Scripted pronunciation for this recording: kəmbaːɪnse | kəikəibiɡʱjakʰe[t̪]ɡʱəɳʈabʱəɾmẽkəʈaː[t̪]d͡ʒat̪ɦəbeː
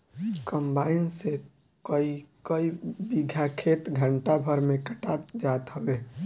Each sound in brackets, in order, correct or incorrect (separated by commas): correct, correct